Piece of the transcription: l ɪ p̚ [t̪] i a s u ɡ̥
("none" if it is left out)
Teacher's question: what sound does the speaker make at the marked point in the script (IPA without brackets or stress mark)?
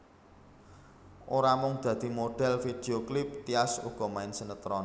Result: t̪